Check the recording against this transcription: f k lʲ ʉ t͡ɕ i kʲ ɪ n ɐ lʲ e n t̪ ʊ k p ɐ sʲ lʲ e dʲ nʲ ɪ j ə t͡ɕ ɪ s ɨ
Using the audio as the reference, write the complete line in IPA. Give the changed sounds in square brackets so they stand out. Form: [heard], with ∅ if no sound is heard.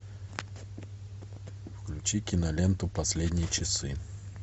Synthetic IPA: f k lʲ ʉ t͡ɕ i kʲ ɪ n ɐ lʲ e n t̪ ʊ [∅] p ɐ sʲ lʲ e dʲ nʲ ɪ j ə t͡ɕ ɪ s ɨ